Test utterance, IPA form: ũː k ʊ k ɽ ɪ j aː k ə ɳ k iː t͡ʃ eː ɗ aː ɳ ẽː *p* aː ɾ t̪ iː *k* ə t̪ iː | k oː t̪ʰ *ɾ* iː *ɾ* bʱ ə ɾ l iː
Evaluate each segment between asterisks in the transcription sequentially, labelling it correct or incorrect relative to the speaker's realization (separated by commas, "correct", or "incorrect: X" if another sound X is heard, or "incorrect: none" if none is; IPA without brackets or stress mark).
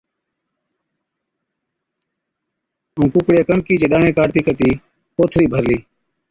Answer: incorrect: k, correct, correct, incorrect: none